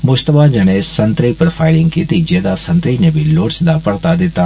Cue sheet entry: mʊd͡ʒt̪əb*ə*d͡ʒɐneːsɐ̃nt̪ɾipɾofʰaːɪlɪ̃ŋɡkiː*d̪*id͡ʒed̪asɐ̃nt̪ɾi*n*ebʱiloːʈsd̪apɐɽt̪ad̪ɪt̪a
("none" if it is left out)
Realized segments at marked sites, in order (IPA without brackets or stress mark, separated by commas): a, t̪, n